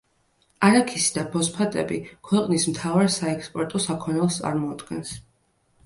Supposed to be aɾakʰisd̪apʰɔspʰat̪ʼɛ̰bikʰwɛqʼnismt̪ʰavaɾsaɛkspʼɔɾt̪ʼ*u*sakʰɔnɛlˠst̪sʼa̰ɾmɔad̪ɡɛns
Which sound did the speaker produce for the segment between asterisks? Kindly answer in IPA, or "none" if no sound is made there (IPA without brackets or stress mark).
ɔ